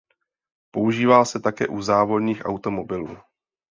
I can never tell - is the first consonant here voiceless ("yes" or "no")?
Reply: yes